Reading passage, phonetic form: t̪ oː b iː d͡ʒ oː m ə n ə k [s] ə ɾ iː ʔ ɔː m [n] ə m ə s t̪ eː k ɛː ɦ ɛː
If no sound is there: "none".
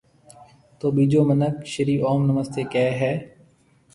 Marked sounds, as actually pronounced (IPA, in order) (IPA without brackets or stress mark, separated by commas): ʃ, n